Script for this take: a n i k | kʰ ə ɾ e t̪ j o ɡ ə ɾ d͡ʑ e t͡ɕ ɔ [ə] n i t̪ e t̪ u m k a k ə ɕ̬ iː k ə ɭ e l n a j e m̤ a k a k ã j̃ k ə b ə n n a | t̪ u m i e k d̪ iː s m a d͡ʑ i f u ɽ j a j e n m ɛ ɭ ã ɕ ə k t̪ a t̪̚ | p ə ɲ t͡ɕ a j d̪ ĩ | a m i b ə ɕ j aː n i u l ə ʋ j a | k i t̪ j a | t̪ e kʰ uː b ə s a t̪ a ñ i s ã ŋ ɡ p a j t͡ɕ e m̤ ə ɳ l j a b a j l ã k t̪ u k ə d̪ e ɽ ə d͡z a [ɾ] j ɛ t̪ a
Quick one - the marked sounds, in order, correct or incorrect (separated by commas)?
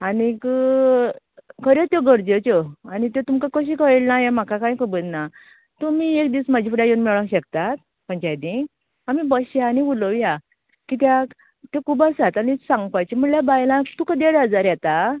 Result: incorrect, correct